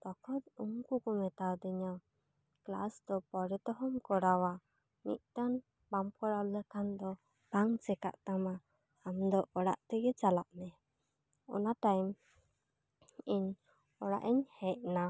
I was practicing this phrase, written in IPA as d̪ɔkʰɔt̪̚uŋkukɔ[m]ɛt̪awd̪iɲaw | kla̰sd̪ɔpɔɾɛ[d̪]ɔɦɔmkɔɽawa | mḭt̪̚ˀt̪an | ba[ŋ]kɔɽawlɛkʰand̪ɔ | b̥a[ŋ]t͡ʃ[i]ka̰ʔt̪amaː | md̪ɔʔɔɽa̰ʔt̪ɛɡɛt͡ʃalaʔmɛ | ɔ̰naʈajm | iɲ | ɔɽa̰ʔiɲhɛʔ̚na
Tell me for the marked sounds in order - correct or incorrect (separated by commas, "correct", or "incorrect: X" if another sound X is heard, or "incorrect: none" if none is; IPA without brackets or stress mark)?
correct, incorrect: t̪, incorrect: m, correct, incorrect: ɛ